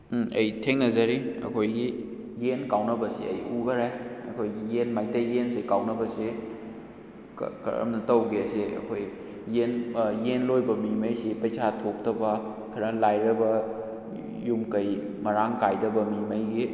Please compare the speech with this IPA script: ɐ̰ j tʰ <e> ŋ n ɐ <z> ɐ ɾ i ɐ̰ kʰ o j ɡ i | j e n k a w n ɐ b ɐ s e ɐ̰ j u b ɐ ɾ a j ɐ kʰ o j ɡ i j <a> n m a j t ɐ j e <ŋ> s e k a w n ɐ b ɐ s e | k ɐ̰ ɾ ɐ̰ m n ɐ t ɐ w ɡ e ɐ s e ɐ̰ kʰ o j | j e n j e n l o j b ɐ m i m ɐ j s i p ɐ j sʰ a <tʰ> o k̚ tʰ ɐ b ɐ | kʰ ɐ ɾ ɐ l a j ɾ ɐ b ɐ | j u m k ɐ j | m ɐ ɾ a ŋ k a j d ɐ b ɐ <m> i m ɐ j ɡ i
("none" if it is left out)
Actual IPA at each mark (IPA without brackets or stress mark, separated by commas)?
e, z, e, n, tʰ, m